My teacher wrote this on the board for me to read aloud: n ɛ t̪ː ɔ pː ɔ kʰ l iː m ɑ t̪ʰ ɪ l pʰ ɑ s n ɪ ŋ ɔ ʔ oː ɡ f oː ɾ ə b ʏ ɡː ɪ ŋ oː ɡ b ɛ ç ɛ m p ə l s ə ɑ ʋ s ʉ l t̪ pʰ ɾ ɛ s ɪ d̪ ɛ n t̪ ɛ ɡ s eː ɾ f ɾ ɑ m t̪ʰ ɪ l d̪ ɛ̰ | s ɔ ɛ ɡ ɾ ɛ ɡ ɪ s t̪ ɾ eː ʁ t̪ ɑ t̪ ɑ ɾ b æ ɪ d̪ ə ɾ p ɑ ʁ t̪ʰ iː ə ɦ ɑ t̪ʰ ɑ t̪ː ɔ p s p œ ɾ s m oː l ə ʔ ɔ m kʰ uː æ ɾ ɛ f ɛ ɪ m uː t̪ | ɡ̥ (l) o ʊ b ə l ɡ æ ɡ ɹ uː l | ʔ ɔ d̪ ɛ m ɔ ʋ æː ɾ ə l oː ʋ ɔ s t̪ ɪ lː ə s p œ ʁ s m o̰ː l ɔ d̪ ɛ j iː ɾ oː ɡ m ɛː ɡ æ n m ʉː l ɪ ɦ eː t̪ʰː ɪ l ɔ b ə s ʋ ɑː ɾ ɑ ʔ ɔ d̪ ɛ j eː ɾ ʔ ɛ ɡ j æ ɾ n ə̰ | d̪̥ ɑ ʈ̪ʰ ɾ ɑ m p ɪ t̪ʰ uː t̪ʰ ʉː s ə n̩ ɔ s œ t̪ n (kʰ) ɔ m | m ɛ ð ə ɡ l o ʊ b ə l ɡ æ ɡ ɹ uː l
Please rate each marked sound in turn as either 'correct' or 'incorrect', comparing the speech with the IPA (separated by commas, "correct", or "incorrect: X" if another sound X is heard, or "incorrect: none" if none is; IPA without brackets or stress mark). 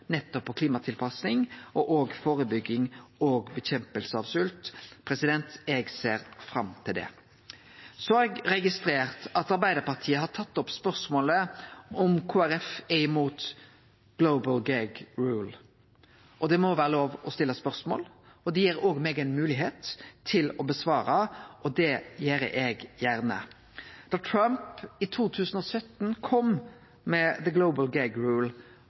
correct, correct